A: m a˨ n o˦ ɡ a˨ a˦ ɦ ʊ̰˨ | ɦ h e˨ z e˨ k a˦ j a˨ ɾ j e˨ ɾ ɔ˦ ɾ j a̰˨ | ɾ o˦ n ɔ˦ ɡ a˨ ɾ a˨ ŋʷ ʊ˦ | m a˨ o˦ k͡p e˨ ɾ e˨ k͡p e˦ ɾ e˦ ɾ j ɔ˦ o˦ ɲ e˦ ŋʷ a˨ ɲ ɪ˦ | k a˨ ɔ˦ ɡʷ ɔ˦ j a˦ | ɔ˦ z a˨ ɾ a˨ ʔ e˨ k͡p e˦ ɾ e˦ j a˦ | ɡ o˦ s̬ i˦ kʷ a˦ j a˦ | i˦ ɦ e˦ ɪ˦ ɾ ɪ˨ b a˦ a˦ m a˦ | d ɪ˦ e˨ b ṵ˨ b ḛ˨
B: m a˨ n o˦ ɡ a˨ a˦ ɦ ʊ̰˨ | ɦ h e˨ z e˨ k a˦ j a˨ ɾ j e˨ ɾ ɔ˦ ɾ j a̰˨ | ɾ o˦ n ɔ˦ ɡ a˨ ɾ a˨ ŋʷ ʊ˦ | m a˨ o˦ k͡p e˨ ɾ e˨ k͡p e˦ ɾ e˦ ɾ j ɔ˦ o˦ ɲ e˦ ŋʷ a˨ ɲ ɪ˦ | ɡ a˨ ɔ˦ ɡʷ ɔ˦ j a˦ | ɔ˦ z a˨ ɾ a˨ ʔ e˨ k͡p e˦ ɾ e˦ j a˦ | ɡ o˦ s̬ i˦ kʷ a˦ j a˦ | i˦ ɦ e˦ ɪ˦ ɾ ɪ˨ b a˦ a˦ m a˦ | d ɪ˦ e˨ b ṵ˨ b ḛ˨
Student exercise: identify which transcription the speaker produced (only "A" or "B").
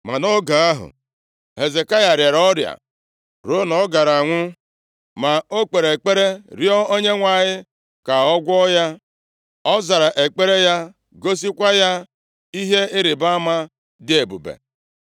A